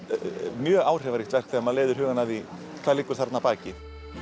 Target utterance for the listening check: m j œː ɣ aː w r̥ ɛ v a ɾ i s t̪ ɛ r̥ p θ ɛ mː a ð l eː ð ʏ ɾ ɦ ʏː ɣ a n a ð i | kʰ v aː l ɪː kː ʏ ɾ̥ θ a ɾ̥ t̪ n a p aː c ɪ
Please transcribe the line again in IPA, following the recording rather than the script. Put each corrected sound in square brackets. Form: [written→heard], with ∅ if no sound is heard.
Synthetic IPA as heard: m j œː ɣ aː w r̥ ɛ v a ɾ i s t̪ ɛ r̥ [p→k] θ ɛ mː a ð l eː ð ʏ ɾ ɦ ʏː ɣ a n a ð i | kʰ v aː l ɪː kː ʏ ɾ̥ θ a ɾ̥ t̪ n a p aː c ɪ

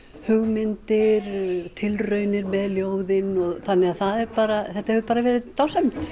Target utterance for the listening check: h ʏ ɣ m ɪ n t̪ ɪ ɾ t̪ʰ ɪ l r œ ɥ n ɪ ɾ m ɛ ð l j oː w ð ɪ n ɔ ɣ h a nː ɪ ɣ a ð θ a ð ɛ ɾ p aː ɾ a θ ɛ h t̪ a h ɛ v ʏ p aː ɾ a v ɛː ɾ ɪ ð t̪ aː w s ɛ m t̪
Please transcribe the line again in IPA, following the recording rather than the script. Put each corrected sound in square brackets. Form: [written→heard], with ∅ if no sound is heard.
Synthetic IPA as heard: h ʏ ɣ m ɪ n t̪ ɪ ɾ t̪ʰ ɪ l r œ ɥ n ɪ ɾ m ɛ ð l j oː w ð ɪ n ɔ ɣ [h→θ] a nː ɪ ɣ a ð θ a ð ɛ ɾ p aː ɾ a θ ɛ h t̪ a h ɛ v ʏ p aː ɾ a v ɛː ɾ ɪ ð t̪ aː w s ɛ m t̪

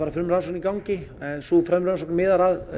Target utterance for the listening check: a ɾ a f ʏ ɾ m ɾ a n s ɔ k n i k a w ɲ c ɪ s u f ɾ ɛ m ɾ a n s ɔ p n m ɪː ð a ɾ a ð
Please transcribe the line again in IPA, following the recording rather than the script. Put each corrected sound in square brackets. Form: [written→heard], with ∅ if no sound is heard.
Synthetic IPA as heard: a ɾ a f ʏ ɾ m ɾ a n s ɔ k n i k a w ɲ c ɪ s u f ɾ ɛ m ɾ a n s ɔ [p→k] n m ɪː ð a ɾ a ð

